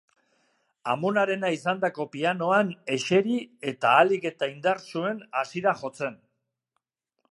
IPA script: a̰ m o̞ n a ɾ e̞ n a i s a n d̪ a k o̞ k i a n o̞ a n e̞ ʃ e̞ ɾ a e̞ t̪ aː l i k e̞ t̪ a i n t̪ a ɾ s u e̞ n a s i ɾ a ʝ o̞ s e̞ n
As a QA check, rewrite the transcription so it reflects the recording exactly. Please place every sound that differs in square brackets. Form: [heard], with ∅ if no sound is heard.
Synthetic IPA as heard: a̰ m o̞ n a ɾ e̞ n a i s a n d̪ a k o̞ [p] i a n o̞ a n e̞ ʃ e̞ ɾ [i] e̞ t̪ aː l i k e̞ t̪ a i n [d̪] a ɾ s u e̞ n a s i ɾ a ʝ o̞ [t͡s] e̞ n